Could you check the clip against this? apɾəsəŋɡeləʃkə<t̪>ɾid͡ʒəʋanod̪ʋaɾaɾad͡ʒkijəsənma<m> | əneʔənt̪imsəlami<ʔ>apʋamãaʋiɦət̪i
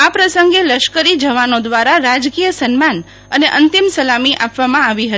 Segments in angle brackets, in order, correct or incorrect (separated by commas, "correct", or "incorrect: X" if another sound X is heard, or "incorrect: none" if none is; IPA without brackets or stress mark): incorrect: none, incorrect: n, correct